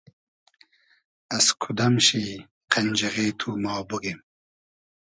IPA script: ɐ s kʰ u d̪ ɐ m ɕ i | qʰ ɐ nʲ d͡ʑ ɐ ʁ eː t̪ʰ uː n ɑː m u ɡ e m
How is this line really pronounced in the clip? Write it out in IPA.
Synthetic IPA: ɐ s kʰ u d̪ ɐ m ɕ i | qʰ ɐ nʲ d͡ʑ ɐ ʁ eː t̪ʰ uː m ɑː b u ɡ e m